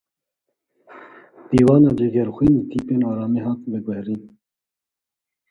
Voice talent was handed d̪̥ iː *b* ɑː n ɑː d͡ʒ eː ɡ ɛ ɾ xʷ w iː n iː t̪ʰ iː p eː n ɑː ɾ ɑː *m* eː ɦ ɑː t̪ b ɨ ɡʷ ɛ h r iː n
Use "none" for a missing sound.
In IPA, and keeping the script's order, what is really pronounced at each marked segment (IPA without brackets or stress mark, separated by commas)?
w, m